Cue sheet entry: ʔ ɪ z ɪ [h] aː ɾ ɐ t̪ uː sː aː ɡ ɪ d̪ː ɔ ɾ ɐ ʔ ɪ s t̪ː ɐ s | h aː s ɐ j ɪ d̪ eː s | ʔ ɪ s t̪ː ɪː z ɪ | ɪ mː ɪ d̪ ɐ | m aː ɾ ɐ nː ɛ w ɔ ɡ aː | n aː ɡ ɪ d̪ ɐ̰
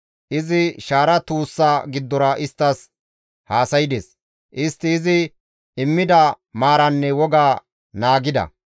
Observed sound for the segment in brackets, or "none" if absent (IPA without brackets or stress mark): ʃ